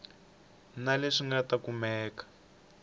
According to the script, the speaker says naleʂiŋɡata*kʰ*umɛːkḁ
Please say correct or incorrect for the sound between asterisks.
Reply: incorrect